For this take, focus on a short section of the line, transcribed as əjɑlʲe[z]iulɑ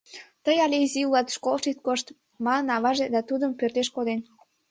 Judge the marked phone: correct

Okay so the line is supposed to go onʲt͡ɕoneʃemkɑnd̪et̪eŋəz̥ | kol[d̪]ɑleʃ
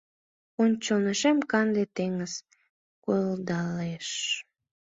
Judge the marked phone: correct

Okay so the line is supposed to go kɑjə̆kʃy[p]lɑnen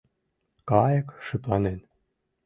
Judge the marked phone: correct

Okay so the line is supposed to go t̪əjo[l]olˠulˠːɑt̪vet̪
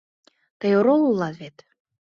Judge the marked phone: incorrect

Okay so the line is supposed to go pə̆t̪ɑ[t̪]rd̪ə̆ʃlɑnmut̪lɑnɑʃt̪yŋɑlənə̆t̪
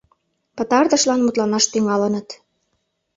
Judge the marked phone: incorrect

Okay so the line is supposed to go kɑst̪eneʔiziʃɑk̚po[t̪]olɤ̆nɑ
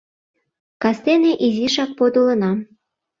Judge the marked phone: incorrect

